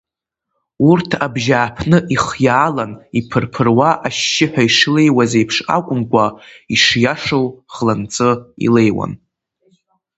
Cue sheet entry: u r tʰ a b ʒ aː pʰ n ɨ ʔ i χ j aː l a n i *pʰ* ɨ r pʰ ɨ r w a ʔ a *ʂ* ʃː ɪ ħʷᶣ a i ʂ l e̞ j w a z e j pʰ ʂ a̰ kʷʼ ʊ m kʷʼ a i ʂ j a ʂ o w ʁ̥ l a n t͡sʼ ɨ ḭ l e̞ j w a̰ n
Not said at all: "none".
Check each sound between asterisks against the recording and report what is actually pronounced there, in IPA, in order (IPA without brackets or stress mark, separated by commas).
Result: pʰ, none